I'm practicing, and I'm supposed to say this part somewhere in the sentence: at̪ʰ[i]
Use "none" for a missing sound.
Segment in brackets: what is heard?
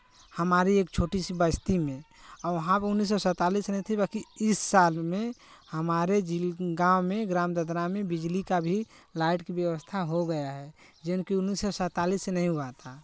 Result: a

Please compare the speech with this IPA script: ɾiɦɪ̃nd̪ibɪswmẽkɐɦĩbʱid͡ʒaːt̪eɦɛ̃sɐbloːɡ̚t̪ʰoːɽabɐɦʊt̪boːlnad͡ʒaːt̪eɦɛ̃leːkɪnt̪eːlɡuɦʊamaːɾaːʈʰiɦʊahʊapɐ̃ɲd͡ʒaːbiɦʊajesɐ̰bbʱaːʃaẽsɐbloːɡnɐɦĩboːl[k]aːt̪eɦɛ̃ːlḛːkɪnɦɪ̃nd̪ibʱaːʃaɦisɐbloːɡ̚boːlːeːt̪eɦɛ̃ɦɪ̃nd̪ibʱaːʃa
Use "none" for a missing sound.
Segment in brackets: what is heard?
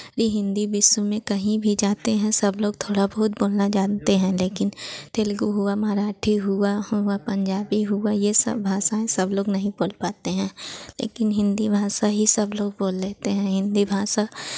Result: p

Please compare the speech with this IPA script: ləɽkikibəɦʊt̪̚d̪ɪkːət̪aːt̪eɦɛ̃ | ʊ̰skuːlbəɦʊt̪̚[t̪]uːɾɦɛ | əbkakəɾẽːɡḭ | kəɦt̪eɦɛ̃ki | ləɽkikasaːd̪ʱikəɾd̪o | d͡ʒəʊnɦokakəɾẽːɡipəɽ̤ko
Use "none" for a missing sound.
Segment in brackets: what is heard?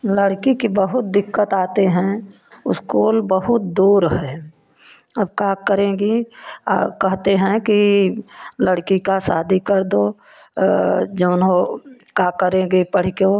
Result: d̪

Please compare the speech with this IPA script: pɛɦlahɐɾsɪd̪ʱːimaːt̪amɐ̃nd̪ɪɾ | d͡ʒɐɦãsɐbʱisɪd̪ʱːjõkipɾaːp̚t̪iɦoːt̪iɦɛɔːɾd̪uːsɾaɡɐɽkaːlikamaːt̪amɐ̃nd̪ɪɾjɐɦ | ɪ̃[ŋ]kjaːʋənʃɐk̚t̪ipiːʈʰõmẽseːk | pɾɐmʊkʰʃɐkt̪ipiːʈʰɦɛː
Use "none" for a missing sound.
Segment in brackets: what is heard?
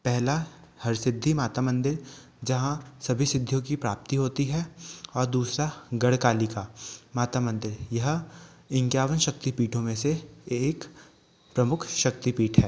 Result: ŋ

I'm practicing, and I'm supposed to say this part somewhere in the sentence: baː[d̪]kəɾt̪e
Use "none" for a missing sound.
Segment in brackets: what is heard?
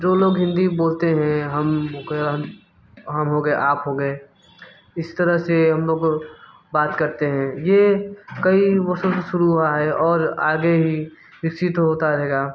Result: t̪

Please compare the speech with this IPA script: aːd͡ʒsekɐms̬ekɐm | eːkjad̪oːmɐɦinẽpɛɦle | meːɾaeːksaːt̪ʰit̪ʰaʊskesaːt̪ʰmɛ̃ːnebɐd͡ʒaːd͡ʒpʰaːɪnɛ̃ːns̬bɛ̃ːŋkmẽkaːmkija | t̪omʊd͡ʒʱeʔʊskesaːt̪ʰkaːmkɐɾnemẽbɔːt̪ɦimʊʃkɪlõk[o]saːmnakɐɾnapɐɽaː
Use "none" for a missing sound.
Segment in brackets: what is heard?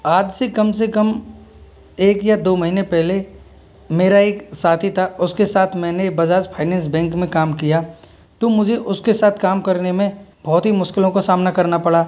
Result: o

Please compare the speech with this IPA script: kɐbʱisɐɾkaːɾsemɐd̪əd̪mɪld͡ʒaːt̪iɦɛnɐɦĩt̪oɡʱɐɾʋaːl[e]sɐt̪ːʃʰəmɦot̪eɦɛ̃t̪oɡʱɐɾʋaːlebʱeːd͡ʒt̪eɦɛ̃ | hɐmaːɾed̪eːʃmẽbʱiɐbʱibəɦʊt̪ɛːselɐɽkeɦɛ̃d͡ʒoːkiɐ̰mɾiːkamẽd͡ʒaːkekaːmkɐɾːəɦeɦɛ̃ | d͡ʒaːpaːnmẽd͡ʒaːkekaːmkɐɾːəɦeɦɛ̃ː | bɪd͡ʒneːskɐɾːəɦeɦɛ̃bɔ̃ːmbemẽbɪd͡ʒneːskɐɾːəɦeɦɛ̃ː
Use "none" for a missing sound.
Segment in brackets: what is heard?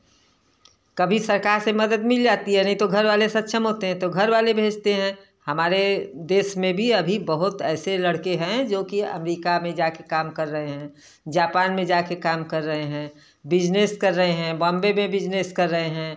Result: e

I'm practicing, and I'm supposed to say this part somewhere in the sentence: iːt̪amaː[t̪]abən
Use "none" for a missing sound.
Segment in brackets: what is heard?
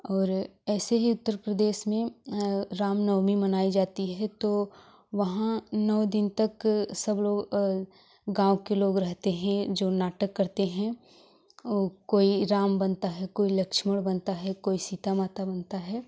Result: t̪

